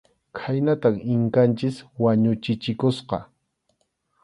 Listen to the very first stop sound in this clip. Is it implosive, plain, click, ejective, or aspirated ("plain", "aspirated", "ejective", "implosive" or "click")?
aspirated